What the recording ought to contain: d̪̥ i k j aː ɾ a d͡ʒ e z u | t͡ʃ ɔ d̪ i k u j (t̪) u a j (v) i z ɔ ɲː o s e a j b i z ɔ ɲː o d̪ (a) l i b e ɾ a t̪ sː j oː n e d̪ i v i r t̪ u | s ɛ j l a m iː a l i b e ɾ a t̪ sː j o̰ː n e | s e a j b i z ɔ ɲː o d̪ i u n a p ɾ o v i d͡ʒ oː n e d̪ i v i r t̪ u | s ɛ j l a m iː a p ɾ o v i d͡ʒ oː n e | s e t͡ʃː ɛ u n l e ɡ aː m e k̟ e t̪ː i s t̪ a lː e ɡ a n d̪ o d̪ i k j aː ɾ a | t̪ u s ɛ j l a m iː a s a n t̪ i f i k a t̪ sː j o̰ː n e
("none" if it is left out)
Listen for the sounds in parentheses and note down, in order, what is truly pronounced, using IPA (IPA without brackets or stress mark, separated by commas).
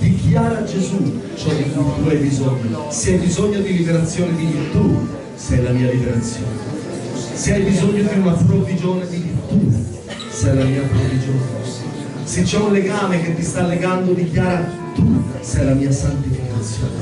t̪, b, i